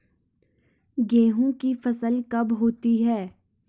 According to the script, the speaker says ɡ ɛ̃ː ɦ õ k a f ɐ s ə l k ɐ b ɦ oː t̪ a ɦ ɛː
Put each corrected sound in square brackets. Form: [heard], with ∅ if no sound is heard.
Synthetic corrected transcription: ɡ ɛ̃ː ɦ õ k [i] f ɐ s ə l k ɐ b ɦ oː t̪ [i] ɦ ɛː